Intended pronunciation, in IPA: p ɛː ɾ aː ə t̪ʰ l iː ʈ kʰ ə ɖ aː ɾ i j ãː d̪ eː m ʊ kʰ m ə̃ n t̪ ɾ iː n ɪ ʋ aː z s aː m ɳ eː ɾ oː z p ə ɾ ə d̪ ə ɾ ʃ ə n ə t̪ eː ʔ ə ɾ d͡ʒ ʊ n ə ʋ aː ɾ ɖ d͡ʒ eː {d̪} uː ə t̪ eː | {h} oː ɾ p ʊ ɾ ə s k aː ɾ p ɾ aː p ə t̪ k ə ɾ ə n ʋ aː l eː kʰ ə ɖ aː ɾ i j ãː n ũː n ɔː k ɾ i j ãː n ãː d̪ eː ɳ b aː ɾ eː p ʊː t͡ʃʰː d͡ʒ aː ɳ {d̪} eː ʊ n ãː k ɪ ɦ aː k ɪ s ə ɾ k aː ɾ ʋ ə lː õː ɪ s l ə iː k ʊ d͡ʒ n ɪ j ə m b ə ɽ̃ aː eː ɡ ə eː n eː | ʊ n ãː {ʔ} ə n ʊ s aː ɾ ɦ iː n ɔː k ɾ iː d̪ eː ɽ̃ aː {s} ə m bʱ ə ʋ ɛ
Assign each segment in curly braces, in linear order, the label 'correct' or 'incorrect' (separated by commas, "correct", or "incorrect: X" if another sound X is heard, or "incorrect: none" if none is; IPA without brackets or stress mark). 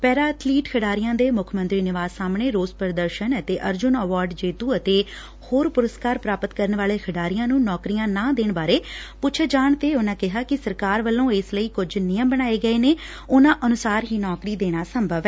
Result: incorrect: t̪, correct, incorrect: t̪, correct, correct